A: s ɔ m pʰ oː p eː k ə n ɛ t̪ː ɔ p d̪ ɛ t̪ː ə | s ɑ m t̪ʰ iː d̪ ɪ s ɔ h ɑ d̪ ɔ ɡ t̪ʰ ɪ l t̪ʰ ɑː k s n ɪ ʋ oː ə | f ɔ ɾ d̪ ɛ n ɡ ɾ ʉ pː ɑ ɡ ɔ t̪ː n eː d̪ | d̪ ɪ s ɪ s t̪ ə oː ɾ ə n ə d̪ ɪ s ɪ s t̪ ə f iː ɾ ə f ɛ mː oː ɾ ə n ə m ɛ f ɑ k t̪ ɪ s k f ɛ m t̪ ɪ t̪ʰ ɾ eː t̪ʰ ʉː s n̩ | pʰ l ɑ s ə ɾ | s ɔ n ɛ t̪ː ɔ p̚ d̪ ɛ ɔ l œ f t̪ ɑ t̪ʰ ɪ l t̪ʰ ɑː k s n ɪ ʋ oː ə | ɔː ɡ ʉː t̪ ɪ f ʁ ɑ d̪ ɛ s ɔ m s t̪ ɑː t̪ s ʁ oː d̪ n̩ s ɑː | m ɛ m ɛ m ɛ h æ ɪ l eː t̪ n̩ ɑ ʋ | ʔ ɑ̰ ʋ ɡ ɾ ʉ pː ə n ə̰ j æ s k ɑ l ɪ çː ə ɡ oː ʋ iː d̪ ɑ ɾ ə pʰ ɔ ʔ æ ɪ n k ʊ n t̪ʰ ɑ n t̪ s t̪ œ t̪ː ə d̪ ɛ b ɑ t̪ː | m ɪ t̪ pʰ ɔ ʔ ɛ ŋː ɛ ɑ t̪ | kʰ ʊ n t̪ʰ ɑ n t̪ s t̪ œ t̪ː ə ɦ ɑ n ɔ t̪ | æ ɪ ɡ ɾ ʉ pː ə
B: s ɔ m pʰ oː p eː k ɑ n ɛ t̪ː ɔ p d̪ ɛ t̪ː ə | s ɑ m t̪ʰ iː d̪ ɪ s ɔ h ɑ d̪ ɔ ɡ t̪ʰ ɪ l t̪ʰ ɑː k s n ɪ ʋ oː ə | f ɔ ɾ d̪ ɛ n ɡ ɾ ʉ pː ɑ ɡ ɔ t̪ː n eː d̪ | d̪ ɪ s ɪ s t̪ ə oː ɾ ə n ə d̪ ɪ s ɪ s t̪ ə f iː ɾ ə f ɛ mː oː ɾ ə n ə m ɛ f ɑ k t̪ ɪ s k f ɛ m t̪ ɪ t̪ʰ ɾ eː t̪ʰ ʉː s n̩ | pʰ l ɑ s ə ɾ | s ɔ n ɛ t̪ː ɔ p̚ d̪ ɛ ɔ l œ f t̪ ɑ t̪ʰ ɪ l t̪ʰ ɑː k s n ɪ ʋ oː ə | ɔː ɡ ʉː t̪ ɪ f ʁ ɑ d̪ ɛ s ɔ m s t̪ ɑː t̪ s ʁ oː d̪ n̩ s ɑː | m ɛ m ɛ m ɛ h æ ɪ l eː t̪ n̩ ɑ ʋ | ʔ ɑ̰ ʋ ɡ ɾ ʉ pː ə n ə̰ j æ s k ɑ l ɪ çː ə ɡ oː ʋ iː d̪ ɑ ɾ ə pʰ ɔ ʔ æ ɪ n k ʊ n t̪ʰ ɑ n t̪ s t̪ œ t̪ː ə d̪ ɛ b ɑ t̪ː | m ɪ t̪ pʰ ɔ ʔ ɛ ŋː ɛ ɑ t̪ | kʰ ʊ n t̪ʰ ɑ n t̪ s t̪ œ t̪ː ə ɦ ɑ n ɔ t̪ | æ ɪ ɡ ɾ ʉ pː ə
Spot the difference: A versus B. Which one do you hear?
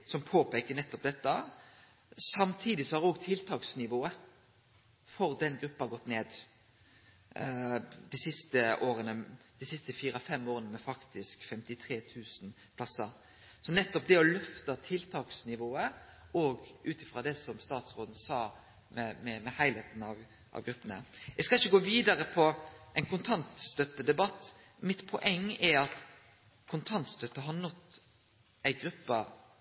A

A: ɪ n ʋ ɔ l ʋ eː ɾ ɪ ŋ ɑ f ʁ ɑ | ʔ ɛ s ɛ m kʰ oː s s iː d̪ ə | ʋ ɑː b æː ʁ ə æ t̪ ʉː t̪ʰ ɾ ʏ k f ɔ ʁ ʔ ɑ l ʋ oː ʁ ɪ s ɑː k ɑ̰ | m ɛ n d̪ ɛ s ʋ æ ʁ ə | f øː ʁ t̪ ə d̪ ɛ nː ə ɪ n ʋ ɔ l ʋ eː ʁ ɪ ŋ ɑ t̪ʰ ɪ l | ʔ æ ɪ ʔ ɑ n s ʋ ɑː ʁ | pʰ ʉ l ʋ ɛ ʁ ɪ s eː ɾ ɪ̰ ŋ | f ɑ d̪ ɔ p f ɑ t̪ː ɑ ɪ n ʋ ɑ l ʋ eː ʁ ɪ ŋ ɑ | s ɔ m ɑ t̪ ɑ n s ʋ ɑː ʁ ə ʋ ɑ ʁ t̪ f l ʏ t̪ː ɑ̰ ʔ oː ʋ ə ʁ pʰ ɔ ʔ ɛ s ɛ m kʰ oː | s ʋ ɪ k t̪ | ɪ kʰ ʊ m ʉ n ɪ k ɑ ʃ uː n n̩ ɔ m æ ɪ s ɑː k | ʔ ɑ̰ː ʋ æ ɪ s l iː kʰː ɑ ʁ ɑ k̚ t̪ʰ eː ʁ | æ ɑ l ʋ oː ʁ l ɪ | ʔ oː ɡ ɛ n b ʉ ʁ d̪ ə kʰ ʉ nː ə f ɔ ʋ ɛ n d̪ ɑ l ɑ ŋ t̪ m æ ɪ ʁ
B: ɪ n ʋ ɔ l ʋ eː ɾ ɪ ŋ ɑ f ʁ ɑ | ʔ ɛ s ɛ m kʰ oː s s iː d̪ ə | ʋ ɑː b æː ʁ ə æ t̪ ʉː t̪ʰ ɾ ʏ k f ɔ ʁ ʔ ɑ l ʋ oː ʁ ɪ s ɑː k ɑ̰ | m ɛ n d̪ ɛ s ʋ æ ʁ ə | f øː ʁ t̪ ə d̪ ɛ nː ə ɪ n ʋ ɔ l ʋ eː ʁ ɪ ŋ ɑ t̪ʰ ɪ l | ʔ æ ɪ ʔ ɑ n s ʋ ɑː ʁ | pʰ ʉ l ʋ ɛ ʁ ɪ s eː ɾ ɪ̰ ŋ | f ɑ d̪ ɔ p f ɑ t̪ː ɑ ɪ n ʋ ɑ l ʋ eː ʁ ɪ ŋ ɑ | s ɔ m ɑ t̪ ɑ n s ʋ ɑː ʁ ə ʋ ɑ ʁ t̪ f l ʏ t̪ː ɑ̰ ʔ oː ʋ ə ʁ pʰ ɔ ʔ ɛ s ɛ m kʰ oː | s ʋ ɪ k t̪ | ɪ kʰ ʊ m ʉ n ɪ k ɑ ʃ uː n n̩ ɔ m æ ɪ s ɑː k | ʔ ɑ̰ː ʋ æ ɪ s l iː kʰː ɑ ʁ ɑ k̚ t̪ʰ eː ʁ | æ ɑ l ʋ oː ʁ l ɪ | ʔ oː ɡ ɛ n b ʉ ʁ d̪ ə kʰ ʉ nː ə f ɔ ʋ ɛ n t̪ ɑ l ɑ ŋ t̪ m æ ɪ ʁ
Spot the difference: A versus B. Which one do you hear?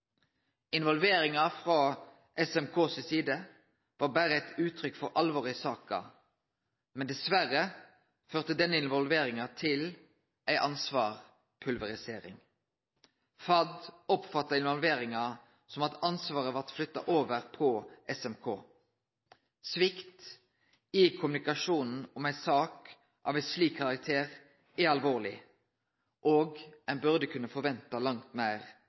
B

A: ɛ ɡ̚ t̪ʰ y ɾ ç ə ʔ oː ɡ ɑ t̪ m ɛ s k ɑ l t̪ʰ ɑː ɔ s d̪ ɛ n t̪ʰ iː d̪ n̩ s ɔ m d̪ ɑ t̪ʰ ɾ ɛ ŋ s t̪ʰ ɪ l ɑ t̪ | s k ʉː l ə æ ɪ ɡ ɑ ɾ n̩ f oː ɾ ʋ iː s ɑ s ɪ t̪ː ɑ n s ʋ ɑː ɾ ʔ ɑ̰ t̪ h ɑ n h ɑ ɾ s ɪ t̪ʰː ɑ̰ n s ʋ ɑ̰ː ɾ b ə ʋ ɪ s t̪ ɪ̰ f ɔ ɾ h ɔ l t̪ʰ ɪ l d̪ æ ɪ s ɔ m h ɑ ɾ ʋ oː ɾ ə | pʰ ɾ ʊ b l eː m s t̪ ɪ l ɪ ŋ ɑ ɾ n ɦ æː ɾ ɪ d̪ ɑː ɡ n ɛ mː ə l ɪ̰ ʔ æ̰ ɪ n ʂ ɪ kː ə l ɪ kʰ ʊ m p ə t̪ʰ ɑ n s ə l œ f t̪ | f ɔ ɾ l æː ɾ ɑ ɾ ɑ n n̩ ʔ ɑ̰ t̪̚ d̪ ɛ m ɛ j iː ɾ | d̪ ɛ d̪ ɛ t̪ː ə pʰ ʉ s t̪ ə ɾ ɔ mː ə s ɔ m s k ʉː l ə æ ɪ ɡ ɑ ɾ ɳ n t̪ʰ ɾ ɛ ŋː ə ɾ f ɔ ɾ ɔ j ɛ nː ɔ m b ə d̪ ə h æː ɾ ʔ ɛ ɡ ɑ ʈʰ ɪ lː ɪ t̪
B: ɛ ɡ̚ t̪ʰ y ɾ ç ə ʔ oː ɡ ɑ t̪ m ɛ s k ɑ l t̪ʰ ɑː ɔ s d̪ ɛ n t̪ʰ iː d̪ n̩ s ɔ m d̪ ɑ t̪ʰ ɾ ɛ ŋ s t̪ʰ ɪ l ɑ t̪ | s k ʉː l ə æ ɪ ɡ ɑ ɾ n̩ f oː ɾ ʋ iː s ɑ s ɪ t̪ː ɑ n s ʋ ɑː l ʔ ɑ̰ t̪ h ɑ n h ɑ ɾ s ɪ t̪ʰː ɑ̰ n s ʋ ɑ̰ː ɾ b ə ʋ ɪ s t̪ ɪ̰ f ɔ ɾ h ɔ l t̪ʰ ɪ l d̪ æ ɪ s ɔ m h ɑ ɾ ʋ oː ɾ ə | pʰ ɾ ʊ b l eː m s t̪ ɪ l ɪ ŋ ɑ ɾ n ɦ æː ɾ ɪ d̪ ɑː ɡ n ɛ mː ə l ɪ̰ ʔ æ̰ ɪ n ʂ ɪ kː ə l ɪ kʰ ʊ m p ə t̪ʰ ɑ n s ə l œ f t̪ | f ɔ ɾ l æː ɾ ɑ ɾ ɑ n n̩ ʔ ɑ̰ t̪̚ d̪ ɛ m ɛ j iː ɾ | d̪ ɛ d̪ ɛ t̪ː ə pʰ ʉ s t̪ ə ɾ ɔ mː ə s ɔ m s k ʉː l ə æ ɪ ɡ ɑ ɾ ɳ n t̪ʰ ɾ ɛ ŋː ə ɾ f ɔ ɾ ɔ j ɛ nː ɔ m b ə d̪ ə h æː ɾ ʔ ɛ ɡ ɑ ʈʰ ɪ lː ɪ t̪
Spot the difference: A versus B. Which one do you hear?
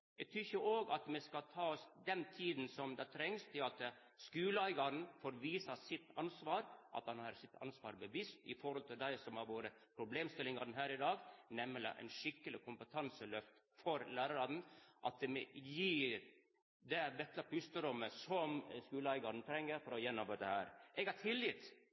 A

